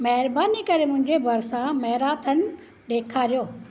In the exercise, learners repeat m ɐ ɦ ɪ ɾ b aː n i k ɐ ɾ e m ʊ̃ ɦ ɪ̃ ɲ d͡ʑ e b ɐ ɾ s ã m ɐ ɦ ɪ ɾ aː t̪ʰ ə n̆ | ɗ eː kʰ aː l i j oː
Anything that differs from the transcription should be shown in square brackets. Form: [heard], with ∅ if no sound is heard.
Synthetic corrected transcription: m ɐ ɦ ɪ ɾ b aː n i k ɐ ɾ e m ʊ̃ ɦ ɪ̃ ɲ d͡ʑ e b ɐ ɾ s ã m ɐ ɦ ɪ ɾ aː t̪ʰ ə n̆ | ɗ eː kʰ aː [ɾ] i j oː

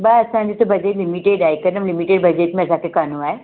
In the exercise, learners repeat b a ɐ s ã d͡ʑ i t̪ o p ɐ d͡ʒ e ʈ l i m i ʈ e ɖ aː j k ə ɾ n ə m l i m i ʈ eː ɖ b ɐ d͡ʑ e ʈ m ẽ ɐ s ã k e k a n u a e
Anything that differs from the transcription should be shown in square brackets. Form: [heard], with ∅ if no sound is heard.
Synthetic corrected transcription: b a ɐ s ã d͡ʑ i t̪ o [b] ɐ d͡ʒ e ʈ l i m i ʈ e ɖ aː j k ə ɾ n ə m l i m i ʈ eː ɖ b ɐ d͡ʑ e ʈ m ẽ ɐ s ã k e k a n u a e

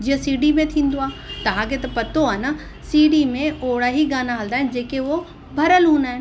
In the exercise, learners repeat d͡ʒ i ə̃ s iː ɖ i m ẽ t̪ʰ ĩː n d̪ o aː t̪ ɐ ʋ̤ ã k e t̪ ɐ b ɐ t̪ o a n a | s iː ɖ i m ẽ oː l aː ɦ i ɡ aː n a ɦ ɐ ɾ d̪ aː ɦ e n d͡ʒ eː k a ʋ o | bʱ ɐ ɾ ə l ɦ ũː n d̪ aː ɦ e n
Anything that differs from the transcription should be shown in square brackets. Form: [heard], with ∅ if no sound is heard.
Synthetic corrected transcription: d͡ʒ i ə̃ s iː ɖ i m ẽ t̪ʰ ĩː n d̪ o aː t̪ ɐ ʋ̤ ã k e t̪ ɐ [p] ɐ t̪ o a n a | s iː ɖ i m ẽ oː [ɽ] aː ɦ i ɡ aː n a ɦ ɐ [l] d̪ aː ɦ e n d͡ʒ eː k [e] ʋ o | bʱ ɐ ɾ ə l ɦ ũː n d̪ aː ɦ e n

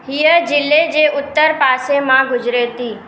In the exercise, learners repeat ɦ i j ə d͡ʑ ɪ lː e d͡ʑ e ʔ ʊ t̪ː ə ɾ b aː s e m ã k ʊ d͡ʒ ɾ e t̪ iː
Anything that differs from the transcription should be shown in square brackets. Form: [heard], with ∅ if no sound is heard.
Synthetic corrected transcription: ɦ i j ə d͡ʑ ɪ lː e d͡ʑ e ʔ ʊ t̪ː ə ɾ [p] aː s e m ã [ɡ] ʊ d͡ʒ ɾ e t̪ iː

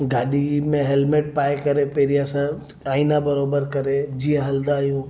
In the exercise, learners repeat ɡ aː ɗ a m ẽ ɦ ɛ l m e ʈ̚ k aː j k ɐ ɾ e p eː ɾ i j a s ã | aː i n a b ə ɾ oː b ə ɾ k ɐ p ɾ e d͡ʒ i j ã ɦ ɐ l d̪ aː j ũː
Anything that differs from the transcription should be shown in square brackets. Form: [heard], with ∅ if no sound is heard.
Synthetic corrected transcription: ɡ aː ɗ [i] m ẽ ɦ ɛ l m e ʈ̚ [p] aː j k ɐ ɾ e p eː ɾ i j a s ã | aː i n a b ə ɾ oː b ə ɾ k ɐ [∅] ɾ e d͡ʒ i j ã ɦ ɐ l d̪ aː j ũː

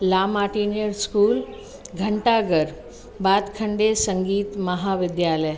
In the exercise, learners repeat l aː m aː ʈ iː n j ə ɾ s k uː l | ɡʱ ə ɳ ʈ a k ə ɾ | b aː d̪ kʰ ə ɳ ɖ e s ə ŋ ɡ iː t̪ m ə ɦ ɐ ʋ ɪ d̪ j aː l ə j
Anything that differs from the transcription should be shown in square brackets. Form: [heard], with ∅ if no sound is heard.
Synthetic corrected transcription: l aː m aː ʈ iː n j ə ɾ s k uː l | ɡʱ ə ɳ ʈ a [ɡ] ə ɾ | b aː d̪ kʰ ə ɳ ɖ e s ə ŋ ɡ iː t̪ m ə ɦ [a] ʋ ɪ d̪ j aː l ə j

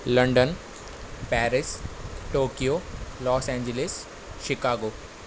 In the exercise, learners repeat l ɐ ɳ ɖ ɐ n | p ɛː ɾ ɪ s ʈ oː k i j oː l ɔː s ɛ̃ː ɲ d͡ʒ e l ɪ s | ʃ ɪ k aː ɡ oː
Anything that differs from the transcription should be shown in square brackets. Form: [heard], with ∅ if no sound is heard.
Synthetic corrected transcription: l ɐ ɳ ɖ [ə] n | p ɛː ɾ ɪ s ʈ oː k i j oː l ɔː s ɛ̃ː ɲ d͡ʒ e l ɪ s | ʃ ɪ k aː ɡ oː

